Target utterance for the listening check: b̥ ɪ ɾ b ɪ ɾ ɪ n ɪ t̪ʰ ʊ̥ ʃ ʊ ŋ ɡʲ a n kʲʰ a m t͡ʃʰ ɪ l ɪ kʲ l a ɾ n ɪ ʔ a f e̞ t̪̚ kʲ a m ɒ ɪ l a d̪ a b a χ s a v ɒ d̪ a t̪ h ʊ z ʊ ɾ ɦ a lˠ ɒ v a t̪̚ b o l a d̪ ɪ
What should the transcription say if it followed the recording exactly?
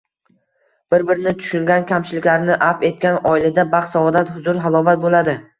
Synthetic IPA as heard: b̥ ɪ ɾ b ɪ ɾ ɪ n ɪ t̪ʰ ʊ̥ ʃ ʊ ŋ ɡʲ a n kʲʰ a m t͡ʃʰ ɪ l ɪ kʲ l a ɾ n ɪ ʔ a f e̞ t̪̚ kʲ a n ɒ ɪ l a d̪ a b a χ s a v ɒ d̪ a t̪ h ʊ z ʊ ɾ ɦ a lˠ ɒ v a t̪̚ b o l a d̪ ɪ